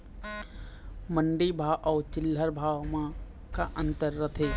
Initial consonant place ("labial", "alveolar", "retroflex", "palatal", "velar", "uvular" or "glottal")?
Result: labial